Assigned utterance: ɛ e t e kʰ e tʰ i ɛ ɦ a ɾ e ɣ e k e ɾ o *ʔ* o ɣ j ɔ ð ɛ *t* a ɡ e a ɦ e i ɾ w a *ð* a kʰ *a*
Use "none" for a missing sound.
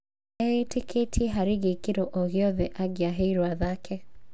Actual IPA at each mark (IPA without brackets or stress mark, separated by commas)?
ʔ, ʔ, ð, ɛ